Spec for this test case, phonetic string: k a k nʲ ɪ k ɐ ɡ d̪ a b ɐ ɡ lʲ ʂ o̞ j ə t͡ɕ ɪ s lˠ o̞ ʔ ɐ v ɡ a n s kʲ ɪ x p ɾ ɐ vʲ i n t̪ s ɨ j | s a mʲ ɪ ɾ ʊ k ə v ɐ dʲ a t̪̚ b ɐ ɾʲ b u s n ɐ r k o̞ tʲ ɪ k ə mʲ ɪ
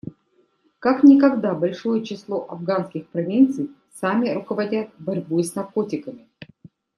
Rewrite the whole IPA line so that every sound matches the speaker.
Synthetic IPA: k a k nʲ ɪ k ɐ ɡ d̪ a b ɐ lʲ ʂ o̞ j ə t͡ɕ ɪ s lˠ o̞ ʔ ɐ v ɡ a n s kʲ ɪ x p ɾ ɐ vʲ i n t̪ s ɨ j | s a mʲ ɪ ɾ ʊ k ə v ɐ dʲ a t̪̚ b ɐ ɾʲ b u s n ɐ r k o̞ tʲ ɪ k ə mʲ ɪ